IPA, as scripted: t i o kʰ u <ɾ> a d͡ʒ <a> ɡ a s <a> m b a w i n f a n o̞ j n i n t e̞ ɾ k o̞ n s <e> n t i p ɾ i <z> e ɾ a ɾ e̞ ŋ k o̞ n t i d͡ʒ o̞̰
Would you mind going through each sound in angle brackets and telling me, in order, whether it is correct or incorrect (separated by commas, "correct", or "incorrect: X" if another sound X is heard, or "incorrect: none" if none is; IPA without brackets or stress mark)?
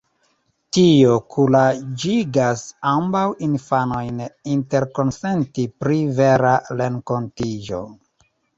incorrect: l, incorrect: i, correct, correct, incorrect: v